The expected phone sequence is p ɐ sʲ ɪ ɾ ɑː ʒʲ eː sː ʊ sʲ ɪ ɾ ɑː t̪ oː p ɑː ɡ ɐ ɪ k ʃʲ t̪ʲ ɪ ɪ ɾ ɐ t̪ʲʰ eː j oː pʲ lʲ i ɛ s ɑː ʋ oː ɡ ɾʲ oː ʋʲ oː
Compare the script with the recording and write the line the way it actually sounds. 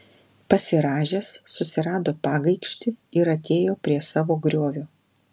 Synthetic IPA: p ɐ sʲ ɪ ɾ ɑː ʒʲ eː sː ʊ sʲ ɪ ɾ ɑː d̪ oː p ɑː ɡ ɐ ɪ k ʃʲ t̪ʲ ɪ ɪ ɾ ɐ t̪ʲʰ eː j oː pʲ ɾʲ i ɛ s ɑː ʋ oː ɡ ɾʲ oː ʋʲ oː